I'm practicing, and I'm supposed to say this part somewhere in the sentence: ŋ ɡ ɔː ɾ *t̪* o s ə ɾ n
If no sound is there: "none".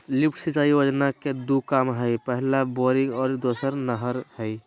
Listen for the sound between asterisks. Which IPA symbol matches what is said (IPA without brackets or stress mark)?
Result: d̪